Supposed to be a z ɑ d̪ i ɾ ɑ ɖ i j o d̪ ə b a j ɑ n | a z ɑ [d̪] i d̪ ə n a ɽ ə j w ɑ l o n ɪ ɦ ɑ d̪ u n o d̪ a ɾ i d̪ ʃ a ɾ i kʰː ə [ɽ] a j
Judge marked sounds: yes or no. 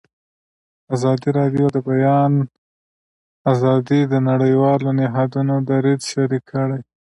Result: yes, yes

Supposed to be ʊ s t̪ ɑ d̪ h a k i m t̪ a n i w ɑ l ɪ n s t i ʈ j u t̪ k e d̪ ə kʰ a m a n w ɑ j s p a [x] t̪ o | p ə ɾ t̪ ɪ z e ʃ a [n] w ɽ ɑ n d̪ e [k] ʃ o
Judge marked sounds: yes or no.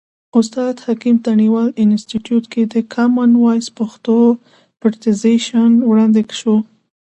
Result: yes, yes, yes

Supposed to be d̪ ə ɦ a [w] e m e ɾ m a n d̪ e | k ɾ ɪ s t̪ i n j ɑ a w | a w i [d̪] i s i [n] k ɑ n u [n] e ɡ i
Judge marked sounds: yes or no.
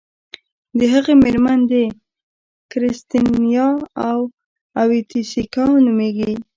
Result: no, no, no, no

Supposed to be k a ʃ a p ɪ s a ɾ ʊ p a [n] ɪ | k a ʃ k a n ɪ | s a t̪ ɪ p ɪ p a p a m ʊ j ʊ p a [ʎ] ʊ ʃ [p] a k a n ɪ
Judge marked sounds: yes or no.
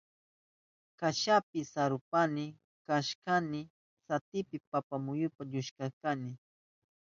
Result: yes, yes, no

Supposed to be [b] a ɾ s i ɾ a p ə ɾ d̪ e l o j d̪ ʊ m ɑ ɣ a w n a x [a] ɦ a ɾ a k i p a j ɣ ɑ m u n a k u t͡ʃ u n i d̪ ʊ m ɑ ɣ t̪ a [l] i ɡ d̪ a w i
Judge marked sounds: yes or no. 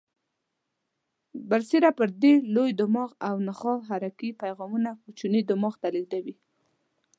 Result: yes, no, yes

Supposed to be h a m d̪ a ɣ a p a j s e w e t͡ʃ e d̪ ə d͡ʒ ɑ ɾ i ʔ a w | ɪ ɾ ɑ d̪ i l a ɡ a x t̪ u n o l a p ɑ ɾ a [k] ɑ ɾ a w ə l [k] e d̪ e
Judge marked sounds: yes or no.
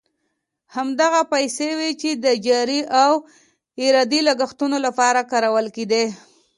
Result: yes, yes

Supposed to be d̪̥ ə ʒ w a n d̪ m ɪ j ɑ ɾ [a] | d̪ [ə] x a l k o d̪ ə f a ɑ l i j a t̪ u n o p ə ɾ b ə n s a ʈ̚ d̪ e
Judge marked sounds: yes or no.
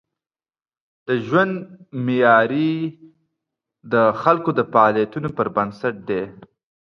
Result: no, yes

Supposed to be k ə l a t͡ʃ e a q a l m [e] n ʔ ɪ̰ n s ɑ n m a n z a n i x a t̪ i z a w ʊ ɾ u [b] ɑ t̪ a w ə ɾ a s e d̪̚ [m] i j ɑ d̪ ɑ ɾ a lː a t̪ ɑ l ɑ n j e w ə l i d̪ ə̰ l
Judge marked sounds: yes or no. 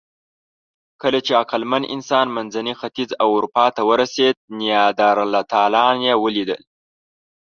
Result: no, no, no

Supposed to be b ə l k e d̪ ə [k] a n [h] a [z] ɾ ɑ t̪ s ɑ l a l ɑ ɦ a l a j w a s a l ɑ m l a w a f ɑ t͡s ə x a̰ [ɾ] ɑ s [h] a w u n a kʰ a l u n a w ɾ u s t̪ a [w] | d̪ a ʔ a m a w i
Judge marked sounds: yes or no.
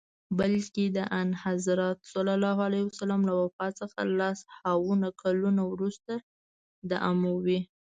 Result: no, yes, yes, no, yes, no

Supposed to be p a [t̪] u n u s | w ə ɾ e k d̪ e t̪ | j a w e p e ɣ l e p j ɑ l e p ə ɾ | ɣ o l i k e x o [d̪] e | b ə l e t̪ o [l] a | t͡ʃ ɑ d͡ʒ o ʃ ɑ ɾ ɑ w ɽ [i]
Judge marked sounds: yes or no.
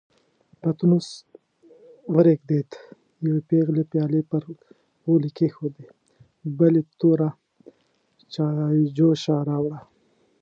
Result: yes, yes, no, no

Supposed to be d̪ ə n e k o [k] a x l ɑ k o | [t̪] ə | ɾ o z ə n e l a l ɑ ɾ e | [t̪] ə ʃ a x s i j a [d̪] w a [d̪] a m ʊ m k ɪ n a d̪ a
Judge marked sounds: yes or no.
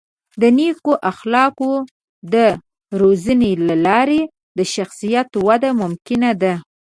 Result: no, no, no, no, yes

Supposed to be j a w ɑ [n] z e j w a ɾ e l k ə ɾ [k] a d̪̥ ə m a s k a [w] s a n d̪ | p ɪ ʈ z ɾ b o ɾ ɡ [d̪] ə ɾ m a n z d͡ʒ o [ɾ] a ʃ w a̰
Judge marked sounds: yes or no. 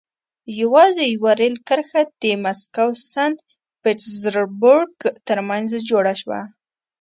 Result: no, no, yes, no, no

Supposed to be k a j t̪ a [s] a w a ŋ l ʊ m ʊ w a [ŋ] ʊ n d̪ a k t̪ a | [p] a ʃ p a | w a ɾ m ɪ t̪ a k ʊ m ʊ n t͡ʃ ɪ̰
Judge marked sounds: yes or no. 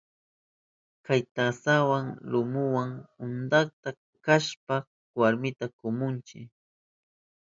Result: yes, yes, no

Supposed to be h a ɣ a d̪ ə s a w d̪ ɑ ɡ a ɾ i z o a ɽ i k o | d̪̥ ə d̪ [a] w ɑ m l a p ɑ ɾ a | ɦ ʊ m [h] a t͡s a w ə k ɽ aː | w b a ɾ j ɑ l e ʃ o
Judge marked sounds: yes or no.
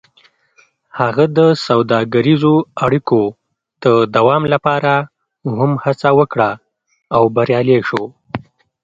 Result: yes, yes

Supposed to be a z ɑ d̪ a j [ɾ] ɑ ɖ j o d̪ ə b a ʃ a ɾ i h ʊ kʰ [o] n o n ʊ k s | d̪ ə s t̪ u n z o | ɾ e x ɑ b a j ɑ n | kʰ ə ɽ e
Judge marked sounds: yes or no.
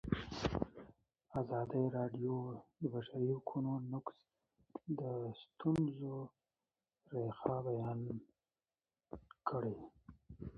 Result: yes, no

